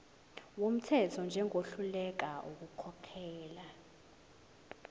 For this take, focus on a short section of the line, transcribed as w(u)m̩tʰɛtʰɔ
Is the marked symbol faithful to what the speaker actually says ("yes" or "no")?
no